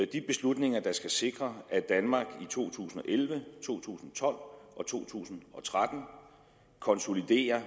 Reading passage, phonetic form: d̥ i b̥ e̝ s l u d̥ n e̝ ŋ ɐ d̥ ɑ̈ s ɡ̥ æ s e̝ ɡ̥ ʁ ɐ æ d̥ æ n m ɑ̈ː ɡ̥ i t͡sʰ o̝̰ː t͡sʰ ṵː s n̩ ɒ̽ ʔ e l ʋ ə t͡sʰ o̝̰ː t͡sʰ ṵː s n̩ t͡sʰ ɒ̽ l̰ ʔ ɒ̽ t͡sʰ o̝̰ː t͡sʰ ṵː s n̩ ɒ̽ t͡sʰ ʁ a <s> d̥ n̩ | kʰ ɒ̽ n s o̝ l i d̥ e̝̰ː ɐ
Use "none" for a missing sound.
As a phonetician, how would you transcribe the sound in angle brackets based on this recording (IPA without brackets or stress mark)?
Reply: none